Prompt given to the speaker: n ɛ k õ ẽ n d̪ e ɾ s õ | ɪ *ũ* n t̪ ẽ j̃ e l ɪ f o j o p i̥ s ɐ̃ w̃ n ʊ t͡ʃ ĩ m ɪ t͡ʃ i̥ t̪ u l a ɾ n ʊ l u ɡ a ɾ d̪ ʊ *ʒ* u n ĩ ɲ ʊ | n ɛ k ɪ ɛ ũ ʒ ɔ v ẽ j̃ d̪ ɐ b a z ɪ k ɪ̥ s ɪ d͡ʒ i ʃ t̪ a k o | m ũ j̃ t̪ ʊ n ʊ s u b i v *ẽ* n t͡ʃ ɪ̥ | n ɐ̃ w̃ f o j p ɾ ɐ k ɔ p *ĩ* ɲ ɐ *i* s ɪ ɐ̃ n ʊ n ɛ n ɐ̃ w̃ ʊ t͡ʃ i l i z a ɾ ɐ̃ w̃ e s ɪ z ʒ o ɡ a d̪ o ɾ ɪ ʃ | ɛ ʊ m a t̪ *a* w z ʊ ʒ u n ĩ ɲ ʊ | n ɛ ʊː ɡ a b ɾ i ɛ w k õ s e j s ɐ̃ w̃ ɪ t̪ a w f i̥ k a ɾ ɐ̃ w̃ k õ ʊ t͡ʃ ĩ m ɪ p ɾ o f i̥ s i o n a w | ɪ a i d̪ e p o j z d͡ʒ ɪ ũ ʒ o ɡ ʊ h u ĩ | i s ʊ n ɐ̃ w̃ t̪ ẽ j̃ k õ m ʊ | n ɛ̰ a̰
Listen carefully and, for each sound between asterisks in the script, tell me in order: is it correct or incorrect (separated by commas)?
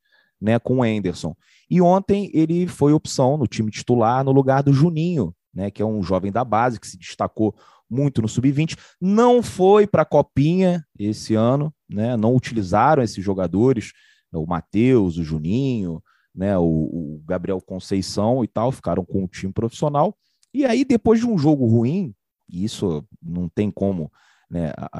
incorrect, correct, incorrect, correct, incorrect, incorrect